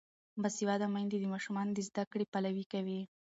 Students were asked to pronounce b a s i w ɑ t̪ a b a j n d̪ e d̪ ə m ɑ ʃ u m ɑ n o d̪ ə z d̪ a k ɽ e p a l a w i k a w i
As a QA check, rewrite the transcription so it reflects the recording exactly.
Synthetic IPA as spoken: b a s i w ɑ d̪ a m a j n d̪ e d̪ ə m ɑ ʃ u m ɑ n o d̪ ə z d̪ a k ɽ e p a l a w i k a w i